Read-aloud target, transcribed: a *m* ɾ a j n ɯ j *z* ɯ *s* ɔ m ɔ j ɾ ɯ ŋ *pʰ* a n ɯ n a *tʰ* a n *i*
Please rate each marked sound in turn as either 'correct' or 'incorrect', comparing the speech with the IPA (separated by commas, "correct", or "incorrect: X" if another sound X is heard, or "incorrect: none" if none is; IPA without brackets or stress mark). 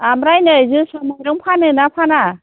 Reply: correct, correct, correct, correct, incorrect: pʰ, incorrect: a